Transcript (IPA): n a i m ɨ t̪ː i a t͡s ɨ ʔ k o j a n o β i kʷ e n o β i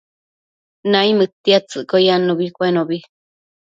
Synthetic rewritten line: n a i m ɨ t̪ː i a t͡s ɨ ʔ k o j a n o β i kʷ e n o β i